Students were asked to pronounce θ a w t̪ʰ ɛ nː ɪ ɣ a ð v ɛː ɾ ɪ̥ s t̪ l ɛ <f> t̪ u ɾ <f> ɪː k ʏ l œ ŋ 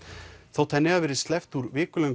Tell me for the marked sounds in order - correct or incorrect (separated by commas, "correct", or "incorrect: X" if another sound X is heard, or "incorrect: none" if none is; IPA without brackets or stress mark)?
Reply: correct, incorrect: v